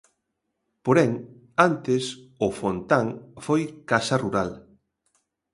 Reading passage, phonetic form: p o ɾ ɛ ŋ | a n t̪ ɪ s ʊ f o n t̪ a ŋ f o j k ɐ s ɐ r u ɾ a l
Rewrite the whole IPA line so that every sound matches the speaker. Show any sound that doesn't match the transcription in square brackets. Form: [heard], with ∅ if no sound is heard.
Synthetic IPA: p o ɾ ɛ ŋ | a n t̪ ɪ s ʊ f o n t̪ a ŋ f o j k [a] s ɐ r u ɾ a l